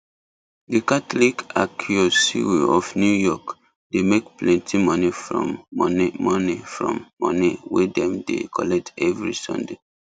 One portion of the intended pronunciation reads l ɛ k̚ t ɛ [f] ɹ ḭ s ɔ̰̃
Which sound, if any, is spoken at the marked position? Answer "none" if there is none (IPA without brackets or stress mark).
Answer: v